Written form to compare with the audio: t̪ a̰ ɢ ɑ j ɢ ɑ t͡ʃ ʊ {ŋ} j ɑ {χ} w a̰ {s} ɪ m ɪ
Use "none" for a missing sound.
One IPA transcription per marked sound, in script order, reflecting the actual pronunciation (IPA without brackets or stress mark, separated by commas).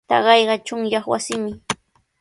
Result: ŋ, χ, s